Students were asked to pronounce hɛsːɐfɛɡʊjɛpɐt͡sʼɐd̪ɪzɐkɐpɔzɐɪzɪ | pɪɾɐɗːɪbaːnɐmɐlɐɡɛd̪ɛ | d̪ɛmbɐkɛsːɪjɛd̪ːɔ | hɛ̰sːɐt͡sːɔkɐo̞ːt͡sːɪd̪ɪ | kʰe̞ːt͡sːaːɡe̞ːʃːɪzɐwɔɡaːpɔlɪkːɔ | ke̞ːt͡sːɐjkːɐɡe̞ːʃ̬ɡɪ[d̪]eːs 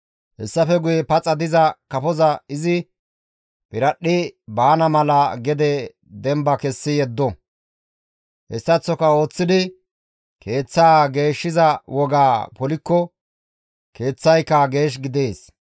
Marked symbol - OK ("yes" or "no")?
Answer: yes